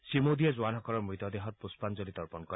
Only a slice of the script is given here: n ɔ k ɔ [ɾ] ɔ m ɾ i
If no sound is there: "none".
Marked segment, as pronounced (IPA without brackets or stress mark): ɾ